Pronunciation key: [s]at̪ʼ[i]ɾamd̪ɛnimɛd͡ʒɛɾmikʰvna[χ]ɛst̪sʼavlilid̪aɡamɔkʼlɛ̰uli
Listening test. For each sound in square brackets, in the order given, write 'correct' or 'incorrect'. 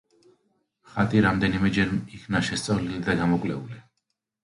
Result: incorrect: χ, correct, incorrect: ʃ

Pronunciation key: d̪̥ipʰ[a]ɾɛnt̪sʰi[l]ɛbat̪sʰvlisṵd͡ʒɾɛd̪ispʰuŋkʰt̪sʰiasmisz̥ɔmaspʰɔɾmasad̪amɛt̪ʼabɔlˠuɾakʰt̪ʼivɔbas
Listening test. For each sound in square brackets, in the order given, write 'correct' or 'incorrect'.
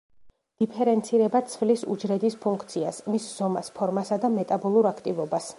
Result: incorrect: ɛ, incorrect: ɾ

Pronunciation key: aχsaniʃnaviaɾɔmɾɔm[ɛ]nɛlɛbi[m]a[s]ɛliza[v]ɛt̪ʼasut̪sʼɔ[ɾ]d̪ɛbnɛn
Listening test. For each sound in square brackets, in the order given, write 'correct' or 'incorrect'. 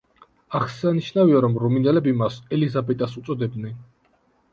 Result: incorrect: i, correct, correct, incorrect: b, incorrect: none

